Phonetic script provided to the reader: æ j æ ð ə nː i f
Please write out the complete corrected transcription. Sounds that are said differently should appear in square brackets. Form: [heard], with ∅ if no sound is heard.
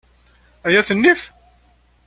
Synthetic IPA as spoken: æ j æ [θ] ə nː i f

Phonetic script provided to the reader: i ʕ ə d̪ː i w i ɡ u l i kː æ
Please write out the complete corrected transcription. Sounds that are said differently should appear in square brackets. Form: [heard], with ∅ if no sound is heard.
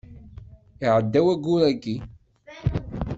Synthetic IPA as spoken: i ʕ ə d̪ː [æ] w [æ] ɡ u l [æ] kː [i]

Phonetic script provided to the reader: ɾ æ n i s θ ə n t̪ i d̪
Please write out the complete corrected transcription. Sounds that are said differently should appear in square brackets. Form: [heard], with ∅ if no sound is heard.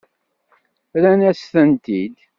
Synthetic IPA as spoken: ɾ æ n [æ] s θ ə n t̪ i d̪

